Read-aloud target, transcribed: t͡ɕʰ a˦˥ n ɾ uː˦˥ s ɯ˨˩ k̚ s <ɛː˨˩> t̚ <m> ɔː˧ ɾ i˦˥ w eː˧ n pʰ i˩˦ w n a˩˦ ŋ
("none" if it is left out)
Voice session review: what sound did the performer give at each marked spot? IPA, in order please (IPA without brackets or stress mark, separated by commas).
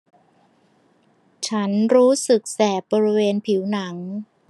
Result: ɛː˨˩, b